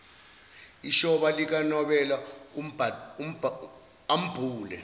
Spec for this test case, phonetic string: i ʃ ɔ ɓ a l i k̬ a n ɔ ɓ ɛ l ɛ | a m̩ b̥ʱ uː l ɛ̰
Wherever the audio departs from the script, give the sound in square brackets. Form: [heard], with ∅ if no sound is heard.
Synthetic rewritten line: i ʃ ɔ ɓ a l i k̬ a n ɔ ɓ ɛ l [a] | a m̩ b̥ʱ uː l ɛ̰